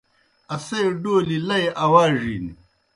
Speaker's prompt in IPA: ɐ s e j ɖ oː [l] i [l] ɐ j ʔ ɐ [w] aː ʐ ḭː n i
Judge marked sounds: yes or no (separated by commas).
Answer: yes, yes, yes